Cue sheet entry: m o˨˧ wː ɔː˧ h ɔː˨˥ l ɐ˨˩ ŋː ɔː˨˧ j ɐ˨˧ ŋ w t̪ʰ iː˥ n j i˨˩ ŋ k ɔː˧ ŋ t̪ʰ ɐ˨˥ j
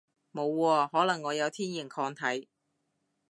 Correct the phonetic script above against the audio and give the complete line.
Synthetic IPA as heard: m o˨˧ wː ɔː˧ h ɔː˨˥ l ɐ˨˩ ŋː ɔː˨˧ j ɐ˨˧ w t̪ʰ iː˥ n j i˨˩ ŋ kʰ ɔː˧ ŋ t̪ʰ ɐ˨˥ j